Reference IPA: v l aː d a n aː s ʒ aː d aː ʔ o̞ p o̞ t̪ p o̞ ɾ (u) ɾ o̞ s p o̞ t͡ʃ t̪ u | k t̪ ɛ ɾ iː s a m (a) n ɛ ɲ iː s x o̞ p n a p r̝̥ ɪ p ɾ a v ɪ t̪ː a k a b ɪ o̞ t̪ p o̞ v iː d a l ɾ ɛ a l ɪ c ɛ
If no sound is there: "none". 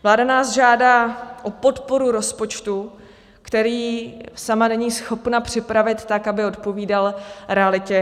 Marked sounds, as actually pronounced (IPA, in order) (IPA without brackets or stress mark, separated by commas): u, a